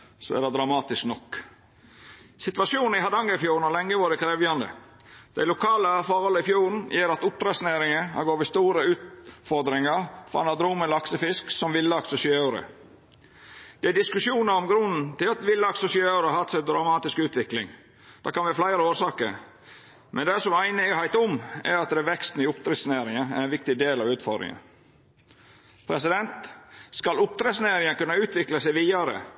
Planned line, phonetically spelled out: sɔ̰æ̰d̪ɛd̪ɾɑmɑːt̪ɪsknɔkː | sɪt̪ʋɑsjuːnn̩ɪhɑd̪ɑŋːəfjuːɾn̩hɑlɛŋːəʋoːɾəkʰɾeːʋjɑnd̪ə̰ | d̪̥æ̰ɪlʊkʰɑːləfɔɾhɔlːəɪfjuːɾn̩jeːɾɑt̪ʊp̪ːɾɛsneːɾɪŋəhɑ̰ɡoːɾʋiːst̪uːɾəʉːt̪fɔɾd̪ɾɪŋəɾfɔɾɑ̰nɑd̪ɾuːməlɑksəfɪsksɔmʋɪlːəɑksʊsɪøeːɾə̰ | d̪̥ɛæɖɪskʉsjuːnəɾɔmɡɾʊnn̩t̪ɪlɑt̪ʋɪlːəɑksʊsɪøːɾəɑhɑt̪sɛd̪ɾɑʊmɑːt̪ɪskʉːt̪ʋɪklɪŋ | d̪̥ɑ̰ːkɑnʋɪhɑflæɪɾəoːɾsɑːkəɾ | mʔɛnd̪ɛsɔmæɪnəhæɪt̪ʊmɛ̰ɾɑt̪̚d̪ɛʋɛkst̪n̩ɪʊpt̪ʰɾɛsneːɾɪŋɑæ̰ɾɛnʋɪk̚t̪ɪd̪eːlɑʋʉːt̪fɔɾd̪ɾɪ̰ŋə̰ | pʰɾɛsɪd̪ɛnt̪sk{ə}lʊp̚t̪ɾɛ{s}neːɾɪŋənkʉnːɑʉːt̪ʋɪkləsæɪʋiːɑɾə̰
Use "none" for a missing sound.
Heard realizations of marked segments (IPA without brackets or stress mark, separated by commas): ɑ, s